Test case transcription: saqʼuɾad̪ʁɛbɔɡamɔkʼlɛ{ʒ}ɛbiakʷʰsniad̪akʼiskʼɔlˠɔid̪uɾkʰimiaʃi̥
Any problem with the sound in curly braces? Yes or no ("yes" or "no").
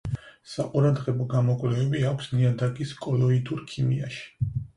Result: yes